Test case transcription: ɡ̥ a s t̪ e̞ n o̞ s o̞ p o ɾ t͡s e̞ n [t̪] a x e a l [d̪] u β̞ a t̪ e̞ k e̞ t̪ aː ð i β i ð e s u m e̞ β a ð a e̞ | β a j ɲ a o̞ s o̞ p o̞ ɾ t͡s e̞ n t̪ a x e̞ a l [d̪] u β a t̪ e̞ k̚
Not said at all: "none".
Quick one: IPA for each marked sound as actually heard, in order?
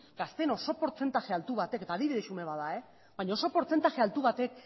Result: t̪, t̪, t̪

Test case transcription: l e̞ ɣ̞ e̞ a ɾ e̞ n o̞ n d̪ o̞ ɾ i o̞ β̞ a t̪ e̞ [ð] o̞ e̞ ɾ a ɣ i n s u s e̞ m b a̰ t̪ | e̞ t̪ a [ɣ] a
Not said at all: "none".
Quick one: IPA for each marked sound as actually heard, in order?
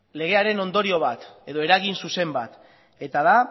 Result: ð, ð

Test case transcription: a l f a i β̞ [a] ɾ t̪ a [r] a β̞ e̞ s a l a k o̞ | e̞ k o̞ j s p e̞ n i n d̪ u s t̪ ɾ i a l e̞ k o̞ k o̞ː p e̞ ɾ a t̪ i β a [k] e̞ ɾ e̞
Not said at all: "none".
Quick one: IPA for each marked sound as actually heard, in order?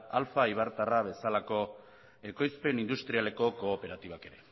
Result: a, r, k

